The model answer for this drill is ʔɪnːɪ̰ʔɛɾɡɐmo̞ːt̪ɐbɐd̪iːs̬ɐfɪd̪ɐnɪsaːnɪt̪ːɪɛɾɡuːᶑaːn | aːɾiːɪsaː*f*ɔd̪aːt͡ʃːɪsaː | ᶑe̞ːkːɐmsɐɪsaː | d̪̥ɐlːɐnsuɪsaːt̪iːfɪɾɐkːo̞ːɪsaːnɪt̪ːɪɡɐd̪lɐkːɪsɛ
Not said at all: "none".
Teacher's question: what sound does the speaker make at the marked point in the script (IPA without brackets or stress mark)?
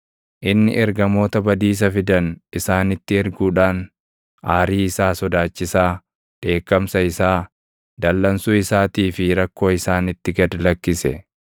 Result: s